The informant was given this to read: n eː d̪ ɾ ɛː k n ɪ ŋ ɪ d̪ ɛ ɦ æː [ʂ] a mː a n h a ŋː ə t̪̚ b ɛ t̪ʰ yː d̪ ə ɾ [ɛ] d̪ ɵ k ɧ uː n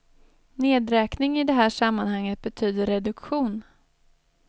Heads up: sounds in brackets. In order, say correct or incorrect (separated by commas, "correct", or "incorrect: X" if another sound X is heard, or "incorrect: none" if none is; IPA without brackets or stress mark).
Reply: correct, correct